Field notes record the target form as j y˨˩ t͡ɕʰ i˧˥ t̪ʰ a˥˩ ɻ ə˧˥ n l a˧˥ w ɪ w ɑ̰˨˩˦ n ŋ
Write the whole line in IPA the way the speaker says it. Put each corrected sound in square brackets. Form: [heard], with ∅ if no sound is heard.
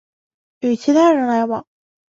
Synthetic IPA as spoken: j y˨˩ t͡ɕʰ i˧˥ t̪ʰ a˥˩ ɻ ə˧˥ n l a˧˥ [∅] ɪ w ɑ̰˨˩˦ [∅] ŋ